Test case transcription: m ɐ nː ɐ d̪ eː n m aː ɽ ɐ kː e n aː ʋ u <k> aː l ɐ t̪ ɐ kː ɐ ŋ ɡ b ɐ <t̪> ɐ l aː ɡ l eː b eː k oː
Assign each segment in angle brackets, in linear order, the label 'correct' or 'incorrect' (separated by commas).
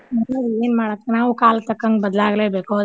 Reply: correct, incorrect